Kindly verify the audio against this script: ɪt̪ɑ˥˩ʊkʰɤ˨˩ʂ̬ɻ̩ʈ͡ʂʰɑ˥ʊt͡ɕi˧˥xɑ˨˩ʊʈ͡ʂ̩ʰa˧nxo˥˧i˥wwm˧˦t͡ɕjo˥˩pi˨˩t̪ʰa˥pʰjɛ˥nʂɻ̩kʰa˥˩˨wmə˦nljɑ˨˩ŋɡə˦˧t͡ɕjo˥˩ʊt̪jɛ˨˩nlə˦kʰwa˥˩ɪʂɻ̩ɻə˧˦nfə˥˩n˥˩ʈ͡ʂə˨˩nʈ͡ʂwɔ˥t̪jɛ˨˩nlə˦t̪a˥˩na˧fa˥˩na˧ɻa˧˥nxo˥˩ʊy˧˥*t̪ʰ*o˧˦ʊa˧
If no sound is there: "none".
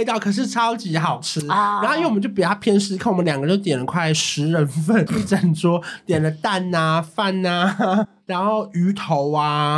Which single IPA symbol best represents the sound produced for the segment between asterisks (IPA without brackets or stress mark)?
t̪ʰ